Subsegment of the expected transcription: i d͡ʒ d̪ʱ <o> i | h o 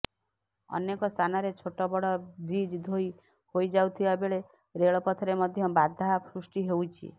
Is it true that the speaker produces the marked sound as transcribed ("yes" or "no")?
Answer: yes